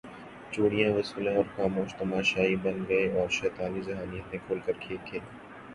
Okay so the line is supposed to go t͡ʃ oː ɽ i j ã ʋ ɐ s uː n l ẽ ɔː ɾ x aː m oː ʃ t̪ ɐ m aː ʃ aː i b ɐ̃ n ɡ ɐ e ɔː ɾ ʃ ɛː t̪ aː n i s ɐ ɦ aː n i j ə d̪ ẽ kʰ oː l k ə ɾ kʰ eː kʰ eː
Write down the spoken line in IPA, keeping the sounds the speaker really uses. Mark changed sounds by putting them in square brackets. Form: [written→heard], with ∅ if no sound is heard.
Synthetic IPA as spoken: t͡ʃ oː ɽ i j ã ʋ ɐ s uː [n→∅] l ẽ ɔː ɾ x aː m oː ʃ t̪ ɐ m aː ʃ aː i b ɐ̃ n ɡ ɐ e ɔː ɾ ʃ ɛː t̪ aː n i [s→z] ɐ ɦ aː n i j ə [d̪→t̪] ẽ kʰ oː l k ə ɾ kʰ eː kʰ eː

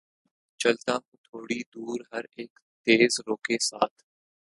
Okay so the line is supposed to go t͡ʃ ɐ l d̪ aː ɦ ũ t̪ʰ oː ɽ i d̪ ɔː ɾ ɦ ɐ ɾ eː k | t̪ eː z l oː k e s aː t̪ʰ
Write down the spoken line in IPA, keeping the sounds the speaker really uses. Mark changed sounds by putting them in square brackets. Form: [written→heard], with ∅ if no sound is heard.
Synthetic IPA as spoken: t͡ʃ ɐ l [d̪→t̪] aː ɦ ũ t̪ʰ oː ɽ i d̪ [ɔː→uː] ɾ ɦ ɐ ɾ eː k | t̪ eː z [l→ɾ] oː k e s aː t̪ʰ

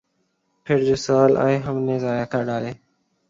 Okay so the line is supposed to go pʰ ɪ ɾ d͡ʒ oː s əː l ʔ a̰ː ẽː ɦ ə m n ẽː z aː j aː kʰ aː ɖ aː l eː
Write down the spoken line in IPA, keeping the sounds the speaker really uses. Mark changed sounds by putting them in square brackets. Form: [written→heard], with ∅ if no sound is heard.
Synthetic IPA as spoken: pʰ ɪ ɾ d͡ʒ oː s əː l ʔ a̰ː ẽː ɦ ə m n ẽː z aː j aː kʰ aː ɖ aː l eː

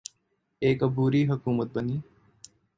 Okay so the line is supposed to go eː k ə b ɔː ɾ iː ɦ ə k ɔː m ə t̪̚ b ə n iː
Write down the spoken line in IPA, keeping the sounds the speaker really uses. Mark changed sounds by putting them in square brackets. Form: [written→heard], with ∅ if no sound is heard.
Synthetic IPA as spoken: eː k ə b [ɔː→uː] ɾ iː ɦ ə k [ɔː→uː] m ə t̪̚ b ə n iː

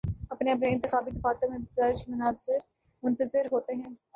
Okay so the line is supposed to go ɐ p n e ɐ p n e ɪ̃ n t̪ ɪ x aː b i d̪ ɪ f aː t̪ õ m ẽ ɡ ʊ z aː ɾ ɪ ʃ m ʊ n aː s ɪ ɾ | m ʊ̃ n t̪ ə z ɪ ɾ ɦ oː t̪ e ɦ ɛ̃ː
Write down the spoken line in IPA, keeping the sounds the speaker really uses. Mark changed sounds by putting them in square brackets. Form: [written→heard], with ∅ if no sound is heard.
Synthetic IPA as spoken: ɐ p n e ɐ p n e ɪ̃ n t̪ ɪ x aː b i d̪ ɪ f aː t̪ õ m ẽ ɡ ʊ z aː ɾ ɪ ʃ m ʊ n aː [s→z] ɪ ɾ | m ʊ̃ n t̪ ə z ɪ ɾ ɦ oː t̪ e ɦ ɛ̃ː

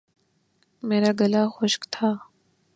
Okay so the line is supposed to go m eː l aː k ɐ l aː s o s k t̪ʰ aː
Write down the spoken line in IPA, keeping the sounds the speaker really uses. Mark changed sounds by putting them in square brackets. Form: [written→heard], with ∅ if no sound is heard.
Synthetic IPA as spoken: m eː [l→ɾ] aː [k→ɡ] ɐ l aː [s→x] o [s→ʃ] k t̪ʰ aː

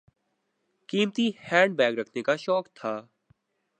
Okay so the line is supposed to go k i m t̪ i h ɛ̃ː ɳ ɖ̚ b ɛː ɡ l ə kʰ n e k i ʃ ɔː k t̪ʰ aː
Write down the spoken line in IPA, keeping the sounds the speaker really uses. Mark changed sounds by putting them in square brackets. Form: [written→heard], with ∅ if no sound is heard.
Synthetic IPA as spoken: k [i→iː] m t̪ i h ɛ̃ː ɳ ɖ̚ b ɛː ɡ [l→ɾ] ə kʰ n e k [i→a] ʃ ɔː k t̪ʰ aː

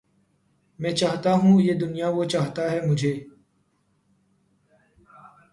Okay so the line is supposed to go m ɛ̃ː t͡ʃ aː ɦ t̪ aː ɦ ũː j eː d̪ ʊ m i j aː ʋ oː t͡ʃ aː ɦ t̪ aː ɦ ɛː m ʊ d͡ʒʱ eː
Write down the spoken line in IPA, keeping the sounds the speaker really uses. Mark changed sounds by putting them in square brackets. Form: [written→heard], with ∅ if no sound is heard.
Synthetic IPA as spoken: m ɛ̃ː t͡ʃ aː ɦ t̪ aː ɦ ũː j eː d̪ ʊ [m→n] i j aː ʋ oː t͡ʃ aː ɦ t̪ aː ɦ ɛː m ʊ d͡ʒʱ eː

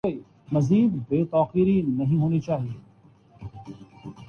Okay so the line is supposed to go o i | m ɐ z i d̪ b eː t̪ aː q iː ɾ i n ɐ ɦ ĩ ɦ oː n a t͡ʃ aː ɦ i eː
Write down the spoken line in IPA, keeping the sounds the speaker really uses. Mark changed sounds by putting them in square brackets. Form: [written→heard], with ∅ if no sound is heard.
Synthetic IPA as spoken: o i | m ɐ z [i→iː] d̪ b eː t̪ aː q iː ɾ i n ɐ ɦ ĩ ɦ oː n [a→i] t͡ʃ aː ɦ i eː

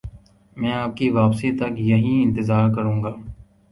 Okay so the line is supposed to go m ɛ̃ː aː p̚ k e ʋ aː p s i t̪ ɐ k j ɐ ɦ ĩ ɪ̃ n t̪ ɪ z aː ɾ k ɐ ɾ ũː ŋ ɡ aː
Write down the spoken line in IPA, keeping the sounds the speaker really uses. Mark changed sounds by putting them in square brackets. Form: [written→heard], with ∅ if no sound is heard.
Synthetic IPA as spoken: m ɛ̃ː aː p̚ k [e→i] ʋ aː p s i t̪ ɐ k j ɐ ɦ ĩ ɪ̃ n t̪ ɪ z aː ɾ k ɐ ɾ ũː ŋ ɡ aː

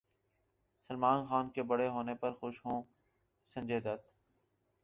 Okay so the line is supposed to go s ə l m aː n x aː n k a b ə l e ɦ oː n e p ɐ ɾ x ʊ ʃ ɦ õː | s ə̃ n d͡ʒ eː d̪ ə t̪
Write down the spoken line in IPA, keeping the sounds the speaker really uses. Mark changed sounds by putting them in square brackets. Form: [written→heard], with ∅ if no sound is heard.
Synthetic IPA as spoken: s ə l m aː n x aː n k [a→e] b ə [l→ɽ] e ɦ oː n e p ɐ ɾ x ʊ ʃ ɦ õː | s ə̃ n d͡ʒ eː d̪ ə t̪

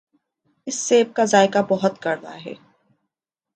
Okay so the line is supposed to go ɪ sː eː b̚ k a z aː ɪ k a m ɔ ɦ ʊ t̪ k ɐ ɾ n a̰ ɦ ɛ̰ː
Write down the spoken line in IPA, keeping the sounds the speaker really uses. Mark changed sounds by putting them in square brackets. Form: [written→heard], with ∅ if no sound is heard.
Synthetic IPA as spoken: ɪ sː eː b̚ k a z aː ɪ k a [m→b] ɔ ɦ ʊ t̪ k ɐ ɾ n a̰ ɦ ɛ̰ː

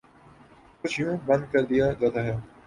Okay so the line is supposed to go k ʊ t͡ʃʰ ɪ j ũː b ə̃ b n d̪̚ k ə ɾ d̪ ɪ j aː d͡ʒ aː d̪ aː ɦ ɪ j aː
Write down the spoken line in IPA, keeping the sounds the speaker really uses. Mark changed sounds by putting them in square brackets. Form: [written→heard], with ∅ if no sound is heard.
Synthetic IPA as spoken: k ʊ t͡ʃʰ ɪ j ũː b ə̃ [b→∅] n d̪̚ k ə ɾ d̪ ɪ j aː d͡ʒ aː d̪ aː ɦ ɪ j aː

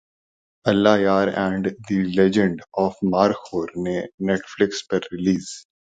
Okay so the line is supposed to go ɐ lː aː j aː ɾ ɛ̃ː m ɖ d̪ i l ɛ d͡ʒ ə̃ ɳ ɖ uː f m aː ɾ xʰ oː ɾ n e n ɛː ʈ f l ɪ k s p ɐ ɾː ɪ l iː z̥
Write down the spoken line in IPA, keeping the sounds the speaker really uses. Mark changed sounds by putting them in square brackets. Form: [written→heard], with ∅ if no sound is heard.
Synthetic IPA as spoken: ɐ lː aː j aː ɾ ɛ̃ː [m→ɳ] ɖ d̪ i l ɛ d͡ʒ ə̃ ɳ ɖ [uː→ɔː] f m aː ɾ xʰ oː ɾ n e n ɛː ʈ f l ɪ k s p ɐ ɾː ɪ l iː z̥

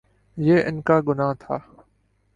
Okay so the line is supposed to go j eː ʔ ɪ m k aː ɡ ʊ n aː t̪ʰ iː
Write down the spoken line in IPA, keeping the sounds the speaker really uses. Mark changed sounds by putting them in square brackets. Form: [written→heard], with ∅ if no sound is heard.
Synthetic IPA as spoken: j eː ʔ ɪ [m→n] k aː ɡ ʊ n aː t̪ʰ [iː→aː]

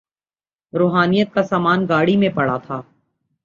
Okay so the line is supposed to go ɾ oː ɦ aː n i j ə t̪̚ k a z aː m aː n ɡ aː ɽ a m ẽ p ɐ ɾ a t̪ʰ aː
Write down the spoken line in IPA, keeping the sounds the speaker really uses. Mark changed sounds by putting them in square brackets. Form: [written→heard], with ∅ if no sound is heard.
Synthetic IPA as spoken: ɾ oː ɦ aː n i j ə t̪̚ k a [z→s] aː m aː n ɡ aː ɽ [a→i] m ẽ p ɐ [ɾ→ɽ] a t̪ʰ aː

